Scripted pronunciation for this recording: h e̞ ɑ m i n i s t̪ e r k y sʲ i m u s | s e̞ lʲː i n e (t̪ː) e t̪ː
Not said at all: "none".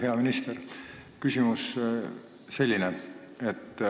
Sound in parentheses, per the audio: none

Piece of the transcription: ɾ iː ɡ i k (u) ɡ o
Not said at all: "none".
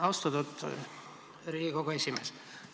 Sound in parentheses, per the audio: o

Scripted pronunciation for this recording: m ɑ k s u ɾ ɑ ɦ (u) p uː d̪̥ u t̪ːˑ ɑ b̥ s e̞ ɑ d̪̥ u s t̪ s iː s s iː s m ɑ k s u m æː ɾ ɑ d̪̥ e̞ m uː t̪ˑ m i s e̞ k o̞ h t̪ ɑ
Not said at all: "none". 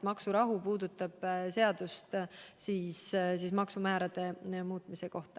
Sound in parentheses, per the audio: u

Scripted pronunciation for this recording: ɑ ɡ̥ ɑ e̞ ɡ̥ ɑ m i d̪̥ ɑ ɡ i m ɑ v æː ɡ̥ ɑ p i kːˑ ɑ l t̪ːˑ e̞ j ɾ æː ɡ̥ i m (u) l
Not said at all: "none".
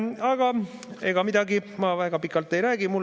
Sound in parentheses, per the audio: u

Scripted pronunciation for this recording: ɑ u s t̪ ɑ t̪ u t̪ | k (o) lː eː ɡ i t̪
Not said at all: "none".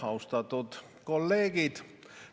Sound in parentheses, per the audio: o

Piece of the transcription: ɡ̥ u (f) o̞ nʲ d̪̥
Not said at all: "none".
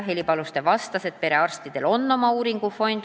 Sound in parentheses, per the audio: f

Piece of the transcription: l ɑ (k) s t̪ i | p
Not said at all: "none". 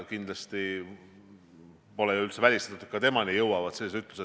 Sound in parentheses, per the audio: none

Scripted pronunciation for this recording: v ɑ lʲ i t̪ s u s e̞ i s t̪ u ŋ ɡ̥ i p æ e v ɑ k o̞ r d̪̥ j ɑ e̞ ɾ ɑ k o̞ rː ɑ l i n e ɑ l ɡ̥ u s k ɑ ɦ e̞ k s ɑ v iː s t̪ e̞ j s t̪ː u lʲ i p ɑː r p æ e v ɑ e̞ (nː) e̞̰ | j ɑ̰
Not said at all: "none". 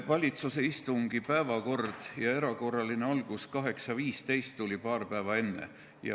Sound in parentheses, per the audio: nː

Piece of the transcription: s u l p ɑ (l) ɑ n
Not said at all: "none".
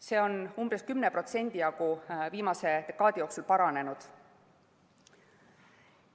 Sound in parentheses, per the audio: ɾ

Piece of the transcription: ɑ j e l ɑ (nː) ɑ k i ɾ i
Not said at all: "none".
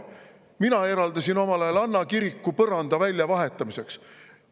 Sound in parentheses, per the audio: nː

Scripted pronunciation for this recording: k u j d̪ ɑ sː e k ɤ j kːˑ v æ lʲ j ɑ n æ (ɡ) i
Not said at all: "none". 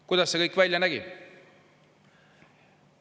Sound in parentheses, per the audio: ɡ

